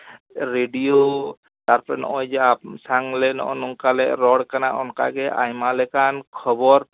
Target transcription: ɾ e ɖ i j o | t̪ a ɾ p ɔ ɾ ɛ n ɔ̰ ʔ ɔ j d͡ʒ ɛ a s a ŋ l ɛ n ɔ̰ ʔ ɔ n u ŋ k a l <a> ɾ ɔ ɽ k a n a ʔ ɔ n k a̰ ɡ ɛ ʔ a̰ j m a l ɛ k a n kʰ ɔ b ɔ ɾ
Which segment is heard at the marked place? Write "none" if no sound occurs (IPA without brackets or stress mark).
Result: ɛ